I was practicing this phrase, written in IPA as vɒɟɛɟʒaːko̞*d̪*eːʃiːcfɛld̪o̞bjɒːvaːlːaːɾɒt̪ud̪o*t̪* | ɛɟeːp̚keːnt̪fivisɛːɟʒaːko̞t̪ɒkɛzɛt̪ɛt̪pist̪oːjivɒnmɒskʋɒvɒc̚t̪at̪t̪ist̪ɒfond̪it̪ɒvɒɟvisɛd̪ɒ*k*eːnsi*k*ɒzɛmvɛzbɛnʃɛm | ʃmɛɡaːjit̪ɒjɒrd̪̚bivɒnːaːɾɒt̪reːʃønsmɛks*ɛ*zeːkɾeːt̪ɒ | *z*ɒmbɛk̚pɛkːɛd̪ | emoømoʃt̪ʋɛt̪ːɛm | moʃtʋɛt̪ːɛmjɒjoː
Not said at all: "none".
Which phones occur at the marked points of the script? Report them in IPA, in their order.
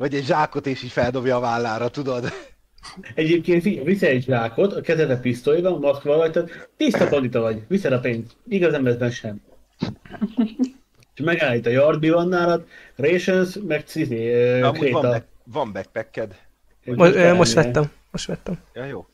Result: t̪, d̪, p, ɡ, i, v

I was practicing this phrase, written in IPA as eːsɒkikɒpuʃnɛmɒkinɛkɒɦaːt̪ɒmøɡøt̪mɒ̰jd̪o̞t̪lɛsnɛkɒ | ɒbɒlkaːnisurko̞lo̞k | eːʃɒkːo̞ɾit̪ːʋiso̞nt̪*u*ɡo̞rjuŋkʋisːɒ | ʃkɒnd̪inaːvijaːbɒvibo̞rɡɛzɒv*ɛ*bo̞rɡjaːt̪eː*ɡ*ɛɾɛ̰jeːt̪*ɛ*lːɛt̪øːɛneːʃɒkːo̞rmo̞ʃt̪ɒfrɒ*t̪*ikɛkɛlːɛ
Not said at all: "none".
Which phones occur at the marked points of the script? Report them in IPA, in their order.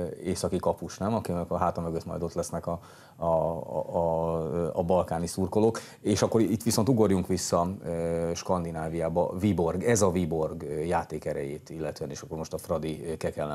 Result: u, i, k, i, d̪

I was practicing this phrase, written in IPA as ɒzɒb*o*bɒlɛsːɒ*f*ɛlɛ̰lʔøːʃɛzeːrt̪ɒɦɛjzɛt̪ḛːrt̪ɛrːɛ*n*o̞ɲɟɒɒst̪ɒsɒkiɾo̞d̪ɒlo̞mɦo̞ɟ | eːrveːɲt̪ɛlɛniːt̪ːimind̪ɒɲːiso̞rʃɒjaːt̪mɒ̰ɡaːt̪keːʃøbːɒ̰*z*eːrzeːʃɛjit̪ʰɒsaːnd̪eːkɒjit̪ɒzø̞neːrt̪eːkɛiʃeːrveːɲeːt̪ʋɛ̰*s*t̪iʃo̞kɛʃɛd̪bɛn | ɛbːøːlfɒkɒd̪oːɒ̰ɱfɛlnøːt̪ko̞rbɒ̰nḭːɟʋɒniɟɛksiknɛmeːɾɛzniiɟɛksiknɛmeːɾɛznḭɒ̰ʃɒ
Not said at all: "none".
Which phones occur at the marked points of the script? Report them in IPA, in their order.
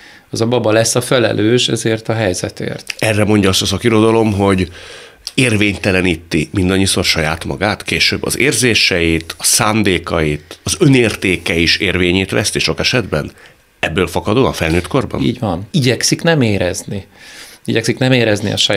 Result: ɒ, f, m, z, s

